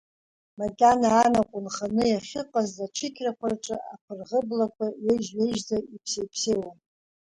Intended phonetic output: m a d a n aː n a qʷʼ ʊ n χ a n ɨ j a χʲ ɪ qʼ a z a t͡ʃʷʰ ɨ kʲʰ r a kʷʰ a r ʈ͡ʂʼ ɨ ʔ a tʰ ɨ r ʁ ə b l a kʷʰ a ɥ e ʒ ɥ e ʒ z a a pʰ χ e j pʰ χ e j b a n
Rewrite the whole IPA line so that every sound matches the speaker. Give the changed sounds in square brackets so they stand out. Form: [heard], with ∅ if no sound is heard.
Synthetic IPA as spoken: m a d a n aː n a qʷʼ ʊ n χ a n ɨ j a χʲ ɪ qʼ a z a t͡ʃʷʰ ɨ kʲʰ r a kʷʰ a r ʈ͡ʂʼ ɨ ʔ a [pʰ] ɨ r ʁ ə b l a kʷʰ a ɥ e ʒ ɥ e ʒ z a [i] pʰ [s] e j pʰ [s] e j [w] a n